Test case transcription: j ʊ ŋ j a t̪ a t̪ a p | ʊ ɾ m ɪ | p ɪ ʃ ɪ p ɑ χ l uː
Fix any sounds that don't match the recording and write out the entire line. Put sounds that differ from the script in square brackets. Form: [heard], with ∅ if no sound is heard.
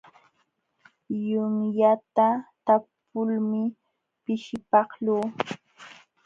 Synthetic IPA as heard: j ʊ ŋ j a t̪ a t̪ a p | ʊ [l] m ɪ | p ɪ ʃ ɪ p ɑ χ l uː